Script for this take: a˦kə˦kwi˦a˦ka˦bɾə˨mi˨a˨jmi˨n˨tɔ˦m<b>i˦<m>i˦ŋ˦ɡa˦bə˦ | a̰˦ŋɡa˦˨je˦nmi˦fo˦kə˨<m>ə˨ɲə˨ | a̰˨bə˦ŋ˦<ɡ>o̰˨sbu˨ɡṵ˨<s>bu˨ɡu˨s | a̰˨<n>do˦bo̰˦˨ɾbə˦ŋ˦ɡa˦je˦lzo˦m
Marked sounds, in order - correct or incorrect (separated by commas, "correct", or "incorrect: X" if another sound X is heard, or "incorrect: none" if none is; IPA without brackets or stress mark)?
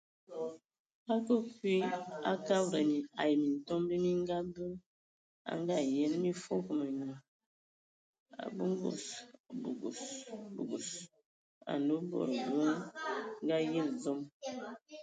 correct, correct, correct, correct, correct, correct